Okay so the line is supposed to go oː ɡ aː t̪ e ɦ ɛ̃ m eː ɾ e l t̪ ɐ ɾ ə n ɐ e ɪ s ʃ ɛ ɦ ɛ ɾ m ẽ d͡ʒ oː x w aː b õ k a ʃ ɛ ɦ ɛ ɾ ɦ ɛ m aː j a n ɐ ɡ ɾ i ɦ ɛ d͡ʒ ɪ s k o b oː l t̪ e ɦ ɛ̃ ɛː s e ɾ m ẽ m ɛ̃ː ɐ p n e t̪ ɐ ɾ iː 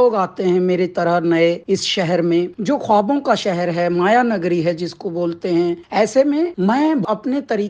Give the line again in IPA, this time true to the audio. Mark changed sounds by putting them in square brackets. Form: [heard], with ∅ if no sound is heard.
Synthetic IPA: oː ɡ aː t̪ e ɦ ɛ̃ m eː ɾ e [∅] t̪ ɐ ɾ ə n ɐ e ɪ s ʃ ɛ ɦ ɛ ɾ m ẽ d͡ʒ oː x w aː b õ k a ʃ ɛ ɦ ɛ ɾ ɦ ɛ m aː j a n ɐ ɡ ɾ i ɦ ɛ d͡ʒ ɪ s k o b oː l t̪ e ɦ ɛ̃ ɛː s e [∅] m ẽ m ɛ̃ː ɐ p n e t̪ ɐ ɾ iː